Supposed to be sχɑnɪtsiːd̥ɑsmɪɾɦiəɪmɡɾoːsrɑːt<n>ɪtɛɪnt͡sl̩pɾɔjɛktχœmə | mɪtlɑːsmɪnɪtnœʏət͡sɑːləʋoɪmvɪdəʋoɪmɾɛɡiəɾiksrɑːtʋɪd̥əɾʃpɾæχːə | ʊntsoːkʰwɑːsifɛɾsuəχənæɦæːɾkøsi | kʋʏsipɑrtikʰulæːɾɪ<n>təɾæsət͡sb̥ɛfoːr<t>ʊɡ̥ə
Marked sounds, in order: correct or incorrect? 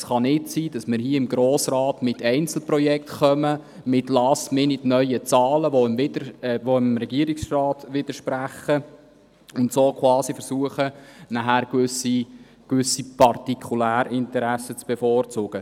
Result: incorrect: m, correct, incorrect: t͡s

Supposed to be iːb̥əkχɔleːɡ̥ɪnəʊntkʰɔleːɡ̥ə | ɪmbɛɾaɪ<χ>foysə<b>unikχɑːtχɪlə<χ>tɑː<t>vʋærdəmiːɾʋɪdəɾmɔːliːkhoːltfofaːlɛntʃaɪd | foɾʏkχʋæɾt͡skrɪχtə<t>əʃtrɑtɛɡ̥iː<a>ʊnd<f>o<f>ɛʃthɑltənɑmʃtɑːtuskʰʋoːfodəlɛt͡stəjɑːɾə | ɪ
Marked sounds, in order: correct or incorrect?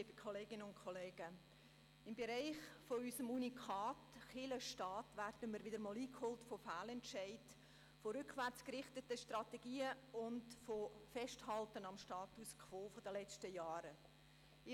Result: correct, incorrect: m, incorrect: ʃ, correct, correct, incorrect: ə, correct, correct

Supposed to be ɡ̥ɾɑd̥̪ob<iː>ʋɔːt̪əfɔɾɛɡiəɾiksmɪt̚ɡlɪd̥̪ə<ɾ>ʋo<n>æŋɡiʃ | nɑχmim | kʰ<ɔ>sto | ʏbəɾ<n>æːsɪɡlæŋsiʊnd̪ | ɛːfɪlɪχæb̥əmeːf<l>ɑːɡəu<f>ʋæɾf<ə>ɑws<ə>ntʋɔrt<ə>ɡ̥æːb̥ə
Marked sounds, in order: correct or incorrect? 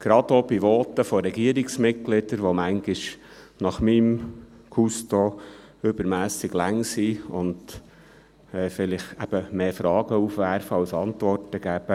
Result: incorrect: i, correct, incorrect: m, incorrect: u, incorrect: m, incorrect: ɾ, correct, correct, incorrect: ɑ, correct

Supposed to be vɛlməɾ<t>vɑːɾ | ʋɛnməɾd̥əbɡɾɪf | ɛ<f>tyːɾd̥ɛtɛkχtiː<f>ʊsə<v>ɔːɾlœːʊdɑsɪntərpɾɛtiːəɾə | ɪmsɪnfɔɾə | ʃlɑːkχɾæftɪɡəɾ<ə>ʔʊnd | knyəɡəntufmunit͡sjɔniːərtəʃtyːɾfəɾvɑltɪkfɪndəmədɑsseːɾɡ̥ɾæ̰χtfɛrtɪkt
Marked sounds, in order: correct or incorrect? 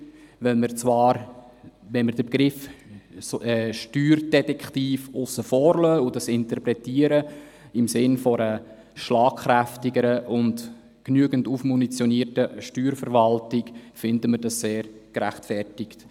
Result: incorrect: t͡s, incorrect: ʃ, correct, incorrect: f, correct

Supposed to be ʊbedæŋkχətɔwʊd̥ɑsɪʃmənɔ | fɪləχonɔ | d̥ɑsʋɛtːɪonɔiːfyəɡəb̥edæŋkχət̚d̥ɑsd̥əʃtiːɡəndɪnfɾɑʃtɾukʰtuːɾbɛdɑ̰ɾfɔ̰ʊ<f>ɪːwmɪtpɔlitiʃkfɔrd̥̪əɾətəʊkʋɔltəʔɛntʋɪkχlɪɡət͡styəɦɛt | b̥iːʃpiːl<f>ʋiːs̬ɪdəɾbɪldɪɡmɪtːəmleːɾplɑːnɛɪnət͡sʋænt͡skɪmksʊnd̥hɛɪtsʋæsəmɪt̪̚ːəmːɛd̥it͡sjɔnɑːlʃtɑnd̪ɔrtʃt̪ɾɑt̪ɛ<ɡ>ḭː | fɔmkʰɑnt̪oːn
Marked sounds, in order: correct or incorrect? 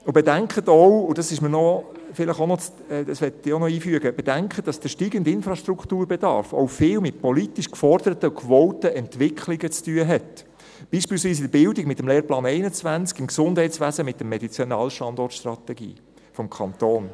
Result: correct, incorrect: s, correct

